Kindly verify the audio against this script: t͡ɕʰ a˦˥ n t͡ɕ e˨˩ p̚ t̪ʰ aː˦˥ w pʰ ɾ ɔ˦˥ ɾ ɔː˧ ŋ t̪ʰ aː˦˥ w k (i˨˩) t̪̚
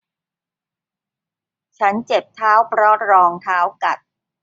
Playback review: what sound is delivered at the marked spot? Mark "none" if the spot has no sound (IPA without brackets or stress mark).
a˨˩